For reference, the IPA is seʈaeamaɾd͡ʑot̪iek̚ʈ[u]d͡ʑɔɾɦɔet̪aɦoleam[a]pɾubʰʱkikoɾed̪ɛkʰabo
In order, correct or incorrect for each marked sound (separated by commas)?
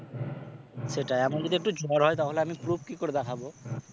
correct, incorrect